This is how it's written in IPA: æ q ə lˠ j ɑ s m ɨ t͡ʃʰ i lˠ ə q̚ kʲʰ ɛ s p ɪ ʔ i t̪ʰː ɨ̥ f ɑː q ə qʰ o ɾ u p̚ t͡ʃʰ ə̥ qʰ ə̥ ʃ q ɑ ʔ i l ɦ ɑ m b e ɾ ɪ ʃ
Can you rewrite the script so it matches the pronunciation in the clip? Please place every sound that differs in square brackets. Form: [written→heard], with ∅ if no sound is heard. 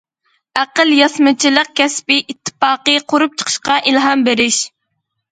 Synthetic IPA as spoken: æ q ə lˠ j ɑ s m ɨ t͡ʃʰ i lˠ ə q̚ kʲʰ ɛ s p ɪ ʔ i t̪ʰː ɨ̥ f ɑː q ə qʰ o ɾ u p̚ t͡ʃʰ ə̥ qʰ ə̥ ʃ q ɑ ʔ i l ɦ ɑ m b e ɾ ɪ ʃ